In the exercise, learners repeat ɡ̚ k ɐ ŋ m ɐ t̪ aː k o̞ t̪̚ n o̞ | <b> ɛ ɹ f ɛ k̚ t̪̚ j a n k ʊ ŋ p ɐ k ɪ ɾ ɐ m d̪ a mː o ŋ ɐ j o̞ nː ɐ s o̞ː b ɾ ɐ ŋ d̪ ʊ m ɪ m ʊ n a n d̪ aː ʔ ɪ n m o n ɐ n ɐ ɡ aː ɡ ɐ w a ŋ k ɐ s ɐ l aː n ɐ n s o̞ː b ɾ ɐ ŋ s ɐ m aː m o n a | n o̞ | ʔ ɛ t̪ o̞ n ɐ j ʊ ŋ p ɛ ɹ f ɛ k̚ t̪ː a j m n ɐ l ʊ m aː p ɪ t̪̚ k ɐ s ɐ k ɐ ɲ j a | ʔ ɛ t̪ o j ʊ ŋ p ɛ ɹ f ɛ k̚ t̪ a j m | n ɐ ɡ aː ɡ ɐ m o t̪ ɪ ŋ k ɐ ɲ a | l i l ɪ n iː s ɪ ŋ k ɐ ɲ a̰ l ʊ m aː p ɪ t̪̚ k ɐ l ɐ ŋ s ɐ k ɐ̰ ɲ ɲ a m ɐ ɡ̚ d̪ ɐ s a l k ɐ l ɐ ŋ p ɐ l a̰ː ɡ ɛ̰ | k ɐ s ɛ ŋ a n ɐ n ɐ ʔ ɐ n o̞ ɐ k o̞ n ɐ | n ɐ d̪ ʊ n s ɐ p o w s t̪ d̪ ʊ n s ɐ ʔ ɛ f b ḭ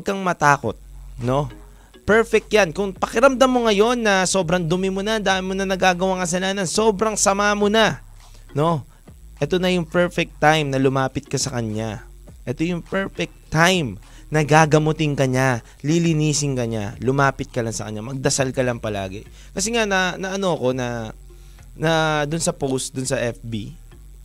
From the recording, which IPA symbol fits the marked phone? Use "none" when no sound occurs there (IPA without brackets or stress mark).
p